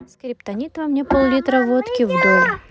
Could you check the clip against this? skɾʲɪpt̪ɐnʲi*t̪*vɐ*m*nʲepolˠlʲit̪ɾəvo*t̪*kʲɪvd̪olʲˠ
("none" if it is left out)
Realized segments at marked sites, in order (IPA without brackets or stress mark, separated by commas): t̪, m, t̪